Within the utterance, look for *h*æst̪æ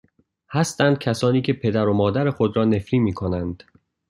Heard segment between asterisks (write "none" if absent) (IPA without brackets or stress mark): h